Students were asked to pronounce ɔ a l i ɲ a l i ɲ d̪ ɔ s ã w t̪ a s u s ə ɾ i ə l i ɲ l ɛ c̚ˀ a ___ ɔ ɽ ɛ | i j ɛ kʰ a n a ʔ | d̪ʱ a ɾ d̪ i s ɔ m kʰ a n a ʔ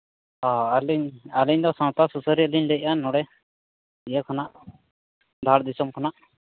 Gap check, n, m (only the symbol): n